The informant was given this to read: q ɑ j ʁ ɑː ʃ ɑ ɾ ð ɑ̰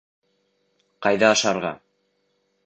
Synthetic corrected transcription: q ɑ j ð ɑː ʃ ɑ ɾ ʁ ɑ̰

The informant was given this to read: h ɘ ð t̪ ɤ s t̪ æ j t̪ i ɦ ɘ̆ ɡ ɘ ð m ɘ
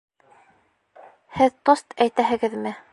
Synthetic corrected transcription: h ɘ ð t̪ o s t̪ æ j t̪ æ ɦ ɘ̆ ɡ ɘ ð m ɘ

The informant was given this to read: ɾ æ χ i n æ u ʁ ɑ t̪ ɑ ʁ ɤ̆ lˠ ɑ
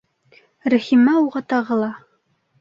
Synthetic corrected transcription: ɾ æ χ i m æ u ʁ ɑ t̪ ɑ ʁ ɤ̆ lˠ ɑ

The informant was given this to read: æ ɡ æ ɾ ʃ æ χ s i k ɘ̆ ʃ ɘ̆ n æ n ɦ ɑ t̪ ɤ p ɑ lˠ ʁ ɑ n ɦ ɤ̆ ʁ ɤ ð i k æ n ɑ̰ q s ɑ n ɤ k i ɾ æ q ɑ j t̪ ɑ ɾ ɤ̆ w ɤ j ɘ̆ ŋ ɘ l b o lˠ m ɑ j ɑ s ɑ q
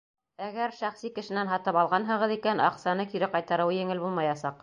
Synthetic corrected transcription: æ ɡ æ ɾ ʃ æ χ s i k ɘ̆ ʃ ɘ̆ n æ n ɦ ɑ t̪ ɤ p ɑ lˠ ʁ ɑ n ɦ ɤ̆ ʁ ɤ ð i k æ n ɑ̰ q s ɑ n ɤ k i ɾ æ q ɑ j t̪ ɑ ɾ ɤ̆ w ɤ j ɘ̆ ŋ ɘ l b u lˠ m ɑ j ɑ s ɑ q

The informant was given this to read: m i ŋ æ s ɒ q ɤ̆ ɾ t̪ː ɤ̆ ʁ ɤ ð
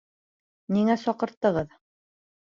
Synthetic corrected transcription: n i ŋ æ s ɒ q ɤ̆ ɾ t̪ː ɤ̆ ʁ ɤ ð

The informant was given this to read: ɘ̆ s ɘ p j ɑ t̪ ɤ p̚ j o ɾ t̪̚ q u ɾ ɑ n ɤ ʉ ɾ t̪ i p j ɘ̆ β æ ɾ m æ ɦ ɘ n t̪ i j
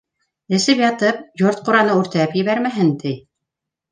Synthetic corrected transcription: ɘ̆ s ɘ p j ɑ t̪ ɤ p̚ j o ɾ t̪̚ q u ɾ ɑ n ɤ ʉ ɾ t̪ æ p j ɘ̆ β æ ɾ m æ ɦ ɘ n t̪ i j

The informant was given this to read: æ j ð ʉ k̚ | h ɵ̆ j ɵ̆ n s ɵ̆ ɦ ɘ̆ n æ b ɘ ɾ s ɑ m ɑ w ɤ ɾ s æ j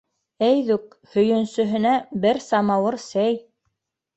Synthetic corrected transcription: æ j ð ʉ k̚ | h ɵ̆ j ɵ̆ n s ɵ̆ ɦ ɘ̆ n æ b ɘ ɾ s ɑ m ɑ w ɤ ɾ s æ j

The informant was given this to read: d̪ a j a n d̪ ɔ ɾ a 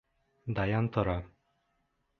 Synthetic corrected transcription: d̪ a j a n t̪ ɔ ɾ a

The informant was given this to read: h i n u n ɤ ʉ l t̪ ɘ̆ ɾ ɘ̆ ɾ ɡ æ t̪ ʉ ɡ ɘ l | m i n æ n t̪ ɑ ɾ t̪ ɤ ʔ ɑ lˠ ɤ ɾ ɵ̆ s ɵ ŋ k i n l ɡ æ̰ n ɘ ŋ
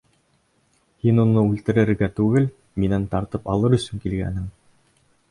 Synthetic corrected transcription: h i n u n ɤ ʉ l t̪ ɘ̆ ɾ ɘ̆ ɾ ɡ æ t̪ ʉ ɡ ɘ l | m i n æ n t̪ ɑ ɾ t̪ ɤ p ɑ lˠ ɤ ɾ ɵ̆ s ɵ ŋ k i l ɡ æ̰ n ɘ ŋ

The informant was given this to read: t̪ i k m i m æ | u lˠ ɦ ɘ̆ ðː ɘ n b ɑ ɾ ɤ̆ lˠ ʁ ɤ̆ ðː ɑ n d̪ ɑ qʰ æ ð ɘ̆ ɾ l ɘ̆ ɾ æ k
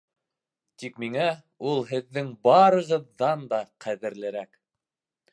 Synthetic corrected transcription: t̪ i k m i ŋ æ | u lˠ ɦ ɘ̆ ðː ɘ ŋ b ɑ ɾ ɤ̆ ʁ ɤ̆ ðː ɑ n d̪ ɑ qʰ æ ð ɘ̆ ɾ l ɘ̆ ɾ æ k

